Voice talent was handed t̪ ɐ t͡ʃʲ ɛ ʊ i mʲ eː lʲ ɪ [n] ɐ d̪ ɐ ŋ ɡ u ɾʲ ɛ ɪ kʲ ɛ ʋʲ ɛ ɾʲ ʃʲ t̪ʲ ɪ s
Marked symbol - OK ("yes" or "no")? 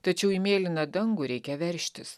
yes